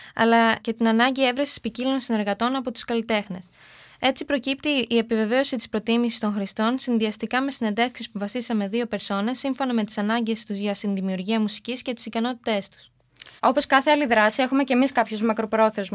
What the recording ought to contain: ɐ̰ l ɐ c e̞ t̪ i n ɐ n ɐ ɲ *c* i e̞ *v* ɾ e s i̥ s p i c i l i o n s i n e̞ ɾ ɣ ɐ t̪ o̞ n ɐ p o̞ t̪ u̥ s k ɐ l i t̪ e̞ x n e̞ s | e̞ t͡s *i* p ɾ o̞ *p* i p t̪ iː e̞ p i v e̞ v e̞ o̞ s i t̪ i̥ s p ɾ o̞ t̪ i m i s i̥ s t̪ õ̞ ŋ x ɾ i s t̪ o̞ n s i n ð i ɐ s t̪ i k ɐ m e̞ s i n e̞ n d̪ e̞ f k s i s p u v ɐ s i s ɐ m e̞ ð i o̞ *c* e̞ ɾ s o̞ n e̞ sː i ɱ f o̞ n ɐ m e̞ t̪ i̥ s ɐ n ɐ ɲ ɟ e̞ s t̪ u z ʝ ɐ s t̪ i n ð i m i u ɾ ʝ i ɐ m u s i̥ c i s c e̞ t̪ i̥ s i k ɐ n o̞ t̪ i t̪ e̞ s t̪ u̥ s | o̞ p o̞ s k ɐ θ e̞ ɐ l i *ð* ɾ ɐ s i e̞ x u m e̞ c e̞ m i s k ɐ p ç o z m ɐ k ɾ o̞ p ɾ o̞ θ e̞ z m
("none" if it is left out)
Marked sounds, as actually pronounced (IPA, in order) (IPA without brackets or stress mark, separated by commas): ɟ, v, i, c, p, ð